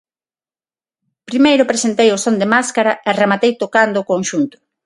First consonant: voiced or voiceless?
voiceless